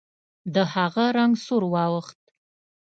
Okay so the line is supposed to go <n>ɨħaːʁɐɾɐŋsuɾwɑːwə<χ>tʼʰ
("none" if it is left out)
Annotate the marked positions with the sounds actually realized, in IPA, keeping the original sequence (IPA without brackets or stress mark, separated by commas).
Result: d, χ